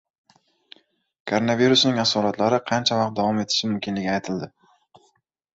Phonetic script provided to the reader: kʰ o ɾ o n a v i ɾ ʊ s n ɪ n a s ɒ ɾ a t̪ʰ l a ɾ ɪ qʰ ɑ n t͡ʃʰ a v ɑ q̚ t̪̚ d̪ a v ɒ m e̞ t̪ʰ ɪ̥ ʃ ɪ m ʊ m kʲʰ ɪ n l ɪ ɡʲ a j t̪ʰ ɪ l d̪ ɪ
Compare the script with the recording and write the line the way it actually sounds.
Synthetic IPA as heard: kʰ o ɾ o n a v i ɾ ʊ s n ɪ ŋ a s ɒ ɾ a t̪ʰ l a ɾ ɪ qʰ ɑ n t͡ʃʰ a v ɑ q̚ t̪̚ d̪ a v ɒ m e̞ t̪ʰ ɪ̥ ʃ ɪ m ʊ m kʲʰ ɪ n l ɪ ɡʲ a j t̪ʰ ɪ l d̪ ɪ